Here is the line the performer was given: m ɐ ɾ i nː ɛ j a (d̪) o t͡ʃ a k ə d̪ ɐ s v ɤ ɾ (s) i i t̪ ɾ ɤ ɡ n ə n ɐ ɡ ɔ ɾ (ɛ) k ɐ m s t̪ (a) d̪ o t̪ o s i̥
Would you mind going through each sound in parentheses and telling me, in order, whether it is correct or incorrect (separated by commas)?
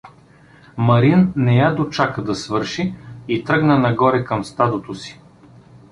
correct, incorrect, correct, correct